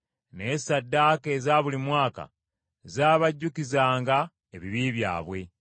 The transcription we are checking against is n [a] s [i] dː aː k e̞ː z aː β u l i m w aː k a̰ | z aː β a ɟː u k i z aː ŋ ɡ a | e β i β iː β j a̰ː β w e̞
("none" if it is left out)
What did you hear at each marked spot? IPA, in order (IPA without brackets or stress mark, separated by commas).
e, a